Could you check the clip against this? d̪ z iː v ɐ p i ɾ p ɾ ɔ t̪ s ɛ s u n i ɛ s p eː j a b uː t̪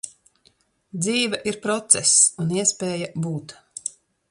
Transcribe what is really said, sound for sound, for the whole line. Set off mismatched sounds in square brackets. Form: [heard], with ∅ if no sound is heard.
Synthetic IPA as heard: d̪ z iː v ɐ [ʔ] i ɾ p ɾ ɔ t̪ s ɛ s u n i ɛ s p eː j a b uː t̪